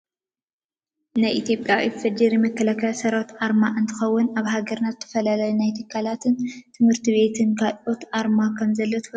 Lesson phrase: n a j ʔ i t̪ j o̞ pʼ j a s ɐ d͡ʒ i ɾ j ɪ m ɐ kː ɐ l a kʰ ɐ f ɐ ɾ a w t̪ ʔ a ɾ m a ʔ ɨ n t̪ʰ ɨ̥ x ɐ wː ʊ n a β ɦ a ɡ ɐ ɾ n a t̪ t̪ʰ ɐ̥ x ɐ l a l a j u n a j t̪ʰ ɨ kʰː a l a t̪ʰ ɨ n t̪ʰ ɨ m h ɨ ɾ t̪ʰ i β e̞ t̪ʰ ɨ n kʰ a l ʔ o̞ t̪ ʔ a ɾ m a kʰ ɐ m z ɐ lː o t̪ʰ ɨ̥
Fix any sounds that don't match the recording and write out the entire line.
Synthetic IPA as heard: n a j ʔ i t̪ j o̞ pʼ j a f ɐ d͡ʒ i ɾ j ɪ m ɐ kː ɐ l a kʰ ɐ s ɐ ɾ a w t̪ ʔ a ɾ m a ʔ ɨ n t̪ʰ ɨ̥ x ɐ wː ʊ n a β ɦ a ɡ ɐ ɾ n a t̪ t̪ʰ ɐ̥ f ɐ l a l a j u n a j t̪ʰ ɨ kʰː a l a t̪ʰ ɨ n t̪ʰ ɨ m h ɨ ɾ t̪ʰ i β e̞ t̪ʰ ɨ n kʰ a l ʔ o̞ t̪ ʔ a ɾ m a kʰ ɐ m z ɐ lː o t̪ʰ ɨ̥

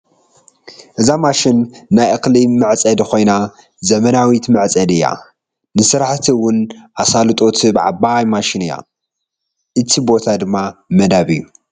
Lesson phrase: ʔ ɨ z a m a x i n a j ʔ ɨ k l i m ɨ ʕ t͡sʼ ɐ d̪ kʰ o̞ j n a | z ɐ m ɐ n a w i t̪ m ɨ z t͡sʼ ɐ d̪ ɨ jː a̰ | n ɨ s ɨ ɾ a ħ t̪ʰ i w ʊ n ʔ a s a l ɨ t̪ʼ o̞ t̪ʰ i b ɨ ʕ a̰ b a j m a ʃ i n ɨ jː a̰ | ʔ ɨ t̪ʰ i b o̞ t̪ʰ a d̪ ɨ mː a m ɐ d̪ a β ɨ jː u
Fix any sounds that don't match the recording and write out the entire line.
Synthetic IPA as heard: ʔ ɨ z a m a ʃ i nː a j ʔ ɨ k l i m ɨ ʕ t͡sʼ ɐ d̪ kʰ o̞ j n a | z ɐ m ɐ n a w i t̪ m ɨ ʕ t͡sʼ ɐ d̪ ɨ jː a̰ | n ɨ s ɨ ɾ a ħ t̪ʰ i w ʊ n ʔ a s a l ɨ t̪ʼ o̞ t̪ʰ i b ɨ ʕ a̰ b a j m a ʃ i n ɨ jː a̰ | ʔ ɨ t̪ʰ i b o̞ t̪ʰ a d̪ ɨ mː a m ɐ d̪ a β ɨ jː u

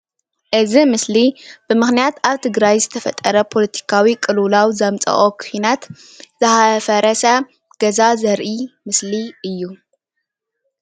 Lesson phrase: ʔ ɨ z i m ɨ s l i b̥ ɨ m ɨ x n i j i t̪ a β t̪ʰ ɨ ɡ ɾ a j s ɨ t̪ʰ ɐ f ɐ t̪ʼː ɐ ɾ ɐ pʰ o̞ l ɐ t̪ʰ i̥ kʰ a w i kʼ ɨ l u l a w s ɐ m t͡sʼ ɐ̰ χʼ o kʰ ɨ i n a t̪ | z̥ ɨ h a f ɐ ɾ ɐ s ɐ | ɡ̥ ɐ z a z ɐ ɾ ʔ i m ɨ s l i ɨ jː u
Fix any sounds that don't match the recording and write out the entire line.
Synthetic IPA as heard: ʔ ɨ z i m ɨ s l i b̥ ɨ m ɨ x n i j a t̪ a β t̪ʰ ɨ ɡ ɾ a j z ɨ t̪ʰ ɐ f ɐ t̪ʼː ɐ ɾ ɐ pʰ o̞ l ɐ t̪ʰ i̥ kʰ a w i kʼ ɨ l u l a w z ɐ m t͡sʼ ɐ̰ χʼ o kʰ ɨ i n a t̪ | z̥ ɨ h a f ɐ ɾ ɐ s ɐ | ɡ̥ ɐ z a z ɐ ɾ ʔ i m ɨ s l i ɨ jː u

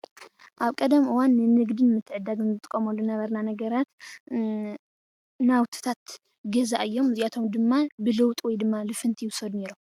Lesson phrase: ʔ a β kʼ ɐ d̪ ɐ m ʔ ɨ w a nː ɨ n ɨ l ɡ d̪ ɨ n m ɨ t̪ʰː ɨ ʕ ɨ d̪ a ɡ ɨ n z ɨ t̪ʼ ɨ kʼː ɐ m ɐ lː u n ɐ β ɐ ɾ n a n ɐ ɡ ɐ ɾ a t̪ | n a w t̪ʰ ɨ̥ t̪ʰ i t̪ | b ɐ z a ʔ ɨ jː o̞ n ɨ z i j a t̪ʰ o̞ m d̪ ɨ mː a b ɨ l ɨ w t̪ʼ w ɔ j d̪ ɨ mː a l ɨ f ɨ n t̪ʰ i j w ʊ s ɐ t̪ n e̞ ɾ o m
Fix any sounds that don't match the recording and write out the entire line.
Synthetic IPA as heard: ʔ a β kʼ ɐ d̪ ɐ m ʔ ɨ w a nː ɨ n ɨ ɡ d̪ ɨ n m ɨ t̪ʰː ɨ ʕ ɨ d̪ a ɡ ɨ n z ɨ t̪ʼ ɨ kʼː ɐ m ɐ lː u n ɐ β ɐ ɾ n a n ɐ ɡ ɐ ɾ a t̪ | n a w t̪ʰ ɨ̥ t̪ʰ a t̪ | ɡ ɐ z a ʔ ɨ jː o̞ m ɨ z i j a t̪ʰ o̞ m d̪ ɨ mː a b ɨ l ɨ w t̪ʼ w ɔ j d̪ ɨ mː a l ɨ f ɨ n t̪ʰ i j w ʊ s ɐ d̪ n e̞ ɾ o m

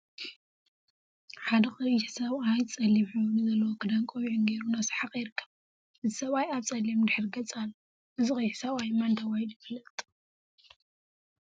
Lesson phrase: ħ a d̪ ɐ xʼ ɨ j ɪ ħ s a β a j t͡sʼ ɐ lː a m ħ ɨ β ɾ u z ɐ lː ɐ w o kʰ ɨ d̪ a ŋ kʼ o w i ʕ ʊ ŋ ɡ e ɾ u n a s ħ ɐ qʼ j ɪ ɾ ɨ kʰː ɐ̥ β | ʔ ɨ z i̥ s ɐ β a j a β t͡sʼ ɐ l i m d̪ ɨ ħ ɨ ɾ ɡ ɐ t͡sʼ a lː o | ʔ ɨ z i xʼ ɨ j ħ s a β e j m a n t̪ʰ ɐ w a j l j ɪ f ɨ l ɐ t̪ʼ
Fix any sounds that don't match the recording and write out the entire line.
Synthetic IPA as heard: ħ a d̪ ɐ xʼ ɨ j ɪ ħ s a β a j t͡sʼ ɐ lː i m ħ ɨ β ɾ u z ɐ lː ɐ w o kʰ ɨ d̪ a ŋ kʼ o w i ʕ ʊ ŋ ɡ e ɾ u n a s ħ a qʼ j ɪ ɾ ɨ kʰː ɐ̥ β | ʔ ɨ z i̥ s ɐ β a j a β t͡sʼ ɐ l i m d̪ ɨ ħ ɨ ɾ ɡ ɐ t͡sʼ a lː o | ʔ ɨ z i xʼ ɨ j ħ s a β a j m a n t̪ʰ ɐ w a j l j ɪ f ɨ l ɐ t̪ʼ

